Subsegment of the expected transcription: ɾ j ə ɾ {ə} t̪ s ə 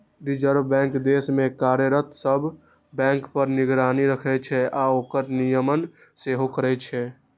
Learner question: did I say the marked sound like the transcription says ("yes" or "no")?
yes